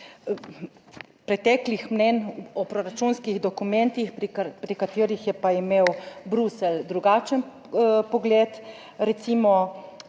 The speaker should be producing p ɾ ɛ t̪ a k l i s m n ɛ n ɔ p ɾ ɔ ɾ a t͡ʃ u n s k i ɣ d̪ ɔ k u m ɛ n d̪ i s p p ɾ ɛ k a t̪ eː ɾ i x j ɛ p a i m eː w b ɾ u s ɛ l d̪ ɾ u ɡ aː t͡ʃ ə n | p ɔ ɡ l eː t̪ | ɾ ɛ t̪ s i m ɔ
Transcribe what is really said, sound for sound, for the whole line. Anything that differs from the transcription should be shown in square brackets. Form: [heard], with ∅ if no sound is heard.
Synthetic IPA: p ɾ ɛ t̪ [ɛ] k l i [x] m n ɛ n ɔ p ɾ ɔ ɾ a t͡ʃ u n s k i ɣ d̪ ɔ k u m ɛ n [t̪] i [x] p p ɾ [i] k a t̪ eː ɾ i x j ɛ p a i m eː w b ɾ u s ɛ l d̪ ɾ u ɡ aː t͡ʃ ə n | p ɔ ɡ l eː t̪ | ɾ ɛ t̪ s i m ɔ